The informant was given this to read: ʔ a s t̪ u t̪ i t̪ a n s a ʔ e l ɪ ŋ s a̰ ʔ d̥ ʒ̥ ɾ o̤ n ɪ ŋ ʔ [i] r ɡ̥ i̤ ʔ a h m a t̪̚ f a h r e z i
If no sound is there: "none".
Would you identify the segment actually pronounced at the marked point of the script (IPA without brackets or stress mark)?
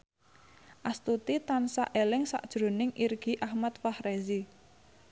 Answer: i